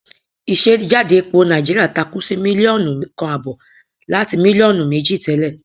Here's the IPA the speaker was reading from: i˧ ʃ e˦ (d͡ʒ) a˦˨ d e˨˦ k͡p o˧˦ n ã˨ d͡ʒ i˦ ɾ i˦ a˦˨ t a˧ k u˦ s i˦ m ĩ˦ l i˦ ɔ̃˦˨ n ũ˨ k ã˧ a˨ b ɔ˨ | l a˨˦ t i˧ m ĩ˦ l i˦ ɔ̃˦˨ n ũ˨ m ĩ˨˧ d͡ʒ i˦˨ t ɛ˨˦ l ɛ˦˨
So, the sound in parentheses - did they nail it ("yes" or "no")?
yes